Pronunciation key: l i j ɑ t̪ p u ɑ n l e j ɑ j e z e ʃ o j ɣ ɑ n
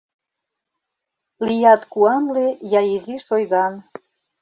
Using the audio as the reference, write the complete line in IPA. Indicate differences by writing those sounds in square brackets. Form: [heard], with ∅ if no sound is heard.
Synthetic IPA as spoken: l i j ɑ t̪ [k] u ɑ n l e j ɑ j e z [i] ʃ o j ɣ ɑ n